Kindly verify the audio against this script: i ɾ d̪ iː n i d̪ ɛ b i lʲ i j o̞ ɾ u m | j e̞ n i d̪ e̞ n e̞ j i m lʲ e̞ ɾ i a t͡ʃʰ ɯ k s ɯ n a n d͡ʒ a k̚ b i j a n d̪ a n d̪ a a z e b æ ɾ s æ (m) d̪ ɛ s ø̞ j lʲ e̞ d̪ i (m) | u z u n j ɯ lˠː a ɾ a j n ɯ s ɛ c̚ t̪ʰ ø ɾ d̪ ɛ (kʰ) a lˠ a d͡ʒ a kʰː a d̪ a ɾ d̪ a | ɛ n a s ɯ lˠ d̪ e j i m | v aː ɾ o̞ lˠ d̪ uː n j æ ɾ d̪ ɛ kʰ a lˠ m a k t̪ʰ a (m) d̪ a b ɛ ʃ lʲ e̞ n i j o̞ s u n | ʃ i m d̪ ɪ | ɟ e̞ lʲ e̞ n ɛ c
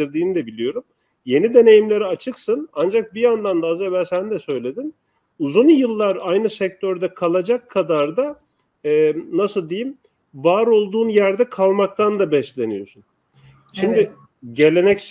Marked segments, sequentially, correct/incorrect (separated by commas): incorrect, incorrect, correct, incorrect